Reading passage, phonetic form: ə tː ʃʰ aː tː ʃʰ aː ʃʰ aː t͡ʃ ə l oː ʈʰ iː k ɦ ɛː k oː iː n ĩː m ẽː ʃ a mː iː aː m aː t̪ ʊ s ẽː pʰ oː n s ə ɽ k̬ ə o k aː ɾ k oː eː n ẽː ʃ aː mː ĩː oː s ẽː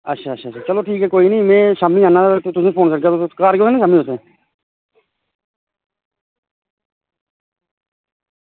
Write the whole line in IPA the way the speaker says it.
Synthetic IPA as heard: ə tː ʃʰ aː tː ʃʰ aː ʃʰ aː t͡ʃ ə l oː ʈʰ iː k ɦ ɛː k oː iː n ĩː m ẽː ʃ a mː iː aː n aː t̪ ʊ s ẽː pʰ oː n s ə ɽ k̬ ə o k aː ɾ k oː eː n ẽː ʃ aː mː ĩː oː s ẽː